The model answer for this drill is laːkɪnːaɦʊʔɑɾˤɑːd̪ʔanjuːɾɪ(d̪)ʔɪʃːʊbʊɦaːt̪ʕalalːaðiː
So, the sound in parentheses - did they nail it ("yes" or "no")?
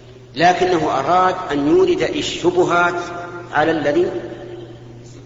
yes